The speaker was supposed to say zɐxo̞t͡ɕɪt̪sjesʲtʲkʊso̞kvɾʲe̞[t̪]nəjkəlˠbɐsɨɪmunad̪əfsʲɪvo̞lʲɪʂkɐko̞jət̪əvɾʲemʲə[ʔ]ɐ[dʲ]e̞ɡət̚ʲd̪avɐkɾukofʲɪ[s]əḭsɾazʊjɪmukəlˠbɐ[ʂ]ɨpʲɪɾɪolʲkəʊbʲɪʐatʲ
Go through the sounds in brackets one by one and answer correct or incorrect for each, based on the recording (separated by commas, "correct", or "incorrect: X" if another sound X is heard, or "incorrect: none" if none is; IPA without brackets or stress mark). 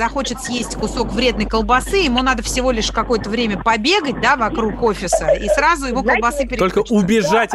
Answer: incorrect: d̪, incorrect: p, incorrect: bʲ, correct, incorrect: s